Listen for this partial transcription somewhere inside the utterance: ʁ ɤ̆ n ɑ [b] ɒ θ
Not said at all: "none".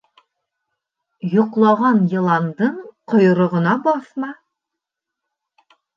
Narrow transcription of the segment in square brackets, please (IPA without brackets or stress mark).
b